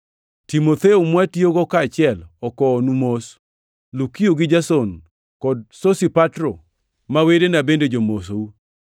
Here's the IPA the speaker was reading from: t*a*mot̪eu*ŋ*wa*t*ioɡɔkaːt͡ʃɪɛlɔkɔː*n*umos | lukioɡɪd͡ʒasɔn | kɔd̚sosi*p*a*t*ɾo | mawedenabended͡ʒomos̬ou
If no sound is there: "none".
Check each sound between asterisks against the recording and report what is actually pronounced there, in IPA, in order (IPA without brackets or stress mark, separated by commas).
i, m, t, n, p, t